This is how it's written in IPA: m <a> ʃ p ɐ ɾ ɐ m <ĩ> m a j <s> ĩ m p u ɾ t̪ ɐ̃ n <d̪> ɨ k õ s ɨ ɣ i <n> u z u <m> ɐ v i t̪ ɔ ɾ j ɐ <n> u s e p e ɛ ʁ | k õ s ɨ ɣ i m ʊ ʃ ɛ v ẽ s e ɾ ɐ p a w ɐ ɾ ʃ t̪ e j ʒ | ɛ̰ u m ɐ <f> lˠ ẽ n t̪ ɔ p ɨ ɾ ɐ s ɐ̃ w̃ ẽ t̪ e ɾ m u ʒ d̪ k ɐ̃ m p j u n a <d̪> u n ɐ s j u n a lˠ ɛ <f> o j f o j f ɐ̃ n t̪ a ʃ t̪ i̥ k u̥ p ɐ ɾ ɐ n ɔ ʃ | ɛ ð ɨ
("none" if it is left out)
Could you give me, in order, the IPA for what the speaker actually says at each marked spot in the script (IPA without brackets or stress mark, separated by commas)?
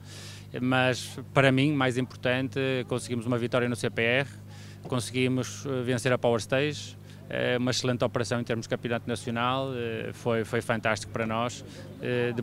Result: ɐ, ĩ, z, t̪, m, m, n, ʃ, t̪, f